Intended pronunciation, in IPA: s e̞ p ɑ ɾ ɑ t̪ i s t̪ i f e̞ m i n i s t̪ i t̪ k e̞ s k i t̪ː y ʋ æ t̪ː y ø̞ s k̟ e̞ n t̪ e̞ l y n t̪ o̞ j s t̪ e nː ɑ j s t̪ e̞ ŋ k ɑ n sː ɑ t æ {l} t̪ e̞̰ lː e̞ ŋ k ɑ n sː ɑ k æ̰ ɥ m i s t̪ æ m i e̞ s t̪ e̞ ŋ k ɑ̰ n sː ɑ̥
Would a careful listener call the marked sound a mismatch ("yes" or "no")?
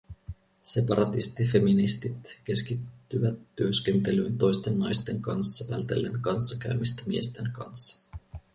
no